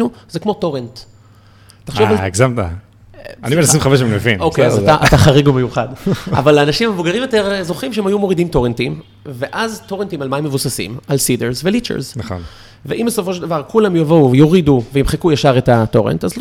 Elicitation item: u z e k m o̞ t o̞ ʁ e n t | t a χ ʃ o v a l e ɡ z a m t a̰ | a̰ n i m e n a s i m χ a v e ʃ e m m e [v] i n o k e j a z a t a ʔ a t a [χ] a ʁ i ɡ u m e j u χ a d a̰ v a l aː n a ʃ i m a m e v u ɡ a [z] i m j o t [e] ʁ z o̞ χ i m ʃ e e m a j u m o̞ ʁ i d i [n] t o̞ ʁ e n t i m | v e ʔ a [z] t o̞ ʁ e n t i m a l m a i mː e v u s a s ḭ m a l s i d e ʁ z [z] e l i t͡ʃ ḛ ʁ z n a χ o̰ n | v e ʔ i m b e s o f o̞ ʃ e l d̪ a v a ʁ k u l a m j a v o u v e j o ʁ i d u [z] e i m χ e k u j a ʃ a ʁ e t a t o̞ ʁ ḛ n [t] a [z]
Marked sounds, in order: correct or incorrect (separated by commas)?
correct, correct, incorrect, correct, incorrect, correct, incorrect, incorrect, correct, correct